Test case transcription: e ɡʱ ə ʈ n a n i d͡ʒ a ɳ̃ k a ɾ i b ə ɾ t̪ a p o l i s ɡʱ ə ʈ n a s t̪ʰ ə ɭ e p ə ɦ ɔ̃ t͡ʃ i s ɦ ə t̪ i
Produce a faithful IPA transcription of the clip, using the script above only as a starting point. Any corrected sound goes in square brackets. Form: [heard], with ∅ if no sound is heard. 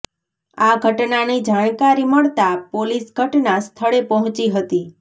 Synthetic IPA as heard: [a] ɡʱ ə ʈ n a n i d͡ʒ a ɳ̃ k a ɾ i [m] ə [ɭ] t̪ a p o l i s ɡʱ ə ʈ n a s t̪ʰ ə ɭ e p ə ɦ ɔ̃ t͡ʃ i [∅] ɦ ə t̪ i